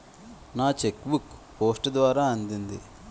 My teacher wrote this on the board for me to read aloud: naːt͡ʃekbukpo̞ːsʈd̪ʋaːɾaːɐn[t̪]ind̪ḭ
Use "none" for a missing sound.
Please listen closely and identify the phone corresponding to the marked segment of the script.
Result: d̪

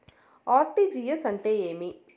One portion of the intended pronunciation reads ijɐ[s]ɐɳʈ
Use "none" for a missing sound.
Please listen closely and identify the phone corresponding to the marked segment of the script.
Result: s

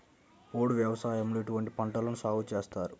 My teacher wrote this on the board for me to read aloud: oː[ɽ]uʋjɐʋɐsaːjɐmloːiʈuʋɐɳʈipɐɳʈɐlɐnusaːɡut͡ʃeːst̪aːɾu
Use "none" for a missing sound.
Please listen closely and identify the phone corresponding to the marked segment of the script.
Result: ɽ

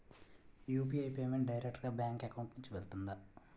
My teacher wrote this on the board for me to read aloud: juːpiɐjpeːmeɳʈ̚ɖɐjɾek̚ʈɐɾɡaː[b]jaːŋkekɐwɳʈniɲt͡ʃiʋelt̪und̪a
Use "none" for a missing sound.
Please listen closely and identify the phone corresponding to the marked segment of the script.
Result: b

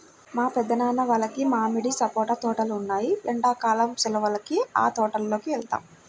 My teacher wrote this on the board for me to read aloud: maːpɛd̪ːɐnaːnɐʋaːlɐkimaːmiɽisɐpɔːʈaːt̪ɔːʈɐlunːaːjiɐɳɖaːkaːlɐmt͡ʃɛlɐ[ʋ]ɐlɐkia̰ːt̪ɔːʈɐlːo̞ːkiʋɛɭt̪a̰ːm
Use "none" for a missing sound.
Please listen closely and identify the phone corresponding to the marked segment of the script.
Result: ʋ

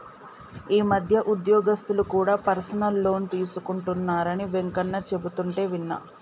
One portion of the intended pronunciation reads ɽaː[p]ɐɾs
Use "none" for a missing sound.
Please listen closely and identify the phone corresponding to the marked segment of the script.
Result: p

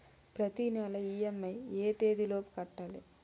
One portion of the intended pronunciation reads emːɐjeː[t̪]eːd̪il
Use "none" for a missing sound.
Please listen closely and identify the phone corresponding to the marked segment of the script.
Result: t̪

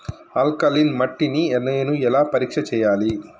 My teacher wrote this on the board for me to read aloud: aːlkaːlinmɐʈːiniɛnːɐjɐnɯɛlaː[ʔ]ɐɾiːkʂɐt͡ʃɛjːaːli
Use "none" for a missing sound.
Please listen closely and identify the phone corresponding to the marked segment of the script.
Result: p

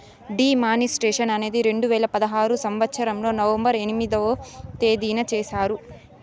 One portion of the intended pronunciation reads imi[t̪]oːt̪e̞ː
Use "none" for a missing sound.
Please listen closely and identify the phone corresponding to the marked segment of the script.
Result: d̪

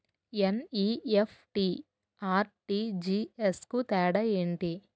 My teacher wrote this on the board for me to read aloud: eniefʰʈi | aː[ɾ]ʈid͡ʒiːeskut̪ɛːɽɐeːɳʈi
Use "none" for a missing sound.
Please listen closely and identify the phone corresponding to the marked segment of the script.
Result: ɾ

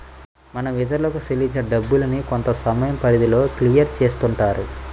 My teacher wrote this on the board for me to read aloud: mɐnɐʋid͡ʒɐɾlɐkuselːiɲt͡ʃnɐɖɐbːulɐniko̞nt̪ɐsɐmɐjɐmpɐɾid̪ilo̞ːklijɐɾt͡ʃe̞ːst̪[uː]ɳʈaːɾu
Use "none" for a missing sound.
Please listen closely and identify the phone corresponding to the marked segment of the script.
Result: u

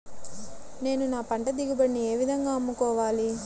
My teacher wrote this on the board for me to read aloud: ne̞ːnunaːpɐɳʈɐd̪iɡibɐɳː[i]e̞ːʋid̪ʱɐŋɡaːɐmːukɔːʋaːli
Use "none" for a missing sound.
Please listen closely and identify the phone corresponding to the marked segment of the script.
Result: i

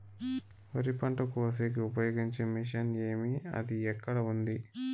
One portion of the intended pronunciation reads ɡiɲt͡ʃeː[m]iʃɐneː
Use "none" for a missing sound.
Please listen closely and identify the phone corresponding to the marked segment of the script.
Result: m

